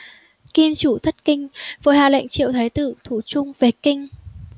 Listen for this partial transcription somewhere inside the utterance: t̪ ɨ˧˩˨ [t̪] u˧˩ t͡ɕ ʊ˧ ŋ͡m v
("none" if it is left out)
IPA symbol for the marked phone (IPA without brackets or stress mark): t̪ʰ